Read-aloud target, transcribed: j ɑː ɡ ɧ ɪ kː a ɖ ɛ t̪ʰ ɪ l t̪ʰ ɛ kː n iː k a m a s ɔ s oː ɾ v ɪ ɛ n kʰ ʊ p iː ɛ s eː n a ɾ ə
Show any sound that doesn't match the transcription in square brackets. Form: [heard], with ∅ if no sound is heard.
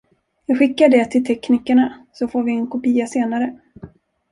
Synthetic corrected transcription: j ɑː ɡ ɧ ɪ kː a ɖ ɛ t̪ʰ ɪ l t̪ʰ ɛ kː n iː k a [ɳ] a s ɔ [f] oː ɾ v ɪ ɛ n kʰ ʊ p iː [a] s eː n a ɾ ə